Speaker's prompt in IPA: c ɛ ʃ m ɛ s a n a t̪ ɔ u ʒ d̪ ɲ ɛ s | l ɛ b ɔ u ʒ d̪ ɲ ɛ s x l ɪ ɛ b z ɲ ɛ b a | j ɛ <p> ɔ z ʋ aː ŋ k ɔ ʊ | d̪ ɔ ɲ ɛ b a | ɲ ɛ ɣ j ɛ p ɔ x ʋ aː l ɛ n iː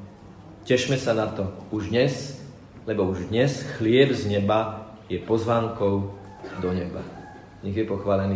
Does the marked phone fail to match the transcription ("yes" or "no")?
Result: no